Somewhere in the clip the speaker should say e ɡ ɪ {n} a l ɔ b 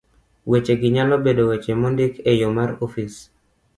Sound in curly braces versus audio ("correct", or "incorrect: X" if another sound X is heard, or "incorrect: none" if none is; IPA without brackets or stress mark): incorrect: ɲ